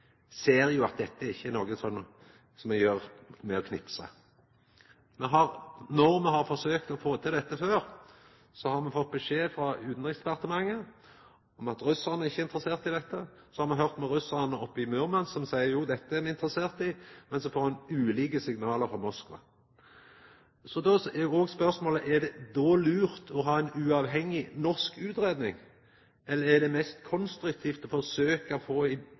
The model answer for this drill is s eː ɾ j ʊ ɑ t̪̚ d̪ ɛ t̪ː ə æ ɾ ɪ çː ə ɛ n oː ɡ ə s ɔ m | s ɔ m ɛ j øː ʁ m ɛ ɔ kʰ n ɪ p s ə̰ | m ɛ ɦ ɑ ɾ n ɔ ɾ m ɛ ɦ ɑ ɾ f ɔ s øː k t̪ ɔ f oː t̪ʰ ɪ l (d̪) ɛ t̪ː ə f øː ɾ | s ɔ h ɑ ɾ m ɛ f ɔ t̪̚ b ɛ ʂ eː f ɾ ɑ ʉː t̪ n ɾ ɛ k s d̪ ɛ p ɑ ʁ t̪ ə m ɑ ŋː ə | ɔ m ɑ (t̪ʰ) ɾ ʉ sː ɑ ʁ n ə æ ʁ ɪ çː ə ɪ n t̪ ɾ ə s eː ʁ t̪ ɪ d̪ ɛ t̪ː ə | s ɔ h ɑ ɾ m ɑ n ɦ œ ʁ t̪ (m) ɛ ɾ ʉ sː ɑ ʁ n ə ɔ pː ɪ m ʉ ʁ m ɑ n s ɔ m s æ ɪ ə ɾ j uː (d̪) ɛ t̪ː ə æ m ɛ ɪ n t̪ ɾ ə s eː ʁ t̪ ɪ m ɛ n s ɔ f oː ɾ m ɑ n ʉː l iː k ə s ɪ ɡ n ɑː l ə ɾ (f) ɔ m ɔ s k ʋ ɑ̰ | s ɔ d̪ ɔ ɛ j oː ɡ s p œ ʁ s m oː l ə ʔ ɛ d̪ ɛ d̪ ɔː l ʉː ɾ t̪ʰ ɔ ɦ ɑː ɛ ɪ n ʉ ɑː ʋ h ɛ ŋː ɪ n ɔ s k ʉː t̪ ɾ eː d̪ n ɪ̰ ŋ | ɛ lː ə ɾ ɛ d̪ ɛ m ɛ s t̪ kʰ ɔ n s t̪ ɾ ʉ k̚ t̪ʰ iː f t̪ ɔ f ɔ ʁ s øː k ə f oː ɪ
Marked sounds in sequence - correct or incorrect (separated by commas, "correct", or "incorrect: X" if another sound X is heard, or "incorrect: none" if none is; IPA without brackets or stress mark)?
correct, incorrect: t̪, correct, correct, correct